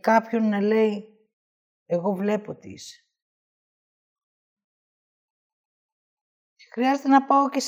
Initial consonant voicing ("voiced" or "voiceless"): voiceless